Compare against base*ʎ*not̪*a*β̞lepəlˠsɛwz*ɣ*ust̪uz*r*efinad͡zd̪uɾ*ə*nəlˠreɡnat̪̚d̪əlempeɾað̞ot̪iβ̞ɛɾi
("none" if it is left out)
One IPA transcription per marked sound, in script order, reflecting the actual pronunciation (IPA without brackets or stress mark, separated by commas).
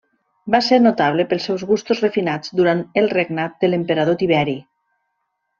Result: ɾ, a, ɣ, r, a